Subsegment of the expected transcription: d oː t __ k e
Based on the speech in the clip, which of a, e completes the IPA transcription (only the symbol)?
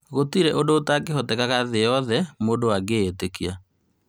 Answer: a